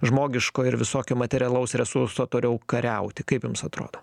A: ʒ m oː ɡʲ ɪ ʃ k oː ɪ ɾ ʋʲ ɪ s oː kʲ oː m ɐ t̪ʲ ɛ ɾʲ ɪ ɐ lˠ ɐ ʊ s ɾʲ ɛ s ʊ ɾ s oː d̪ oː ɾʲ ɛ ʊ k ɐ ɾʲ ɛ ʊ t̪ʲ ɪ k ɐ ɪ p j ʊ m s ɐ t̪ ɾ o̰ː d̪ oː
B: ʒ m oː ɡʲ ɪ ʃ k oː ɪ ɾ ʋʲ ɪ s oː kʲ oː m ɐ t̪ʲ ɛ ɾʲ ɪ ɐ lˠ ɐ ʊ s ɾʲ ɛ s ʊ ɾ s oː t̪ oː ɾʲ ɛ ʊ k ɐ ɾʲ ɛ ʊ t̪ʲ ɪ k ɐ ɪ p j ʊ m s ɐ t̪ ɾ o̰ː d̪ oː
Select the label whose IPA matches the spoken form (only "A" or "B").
B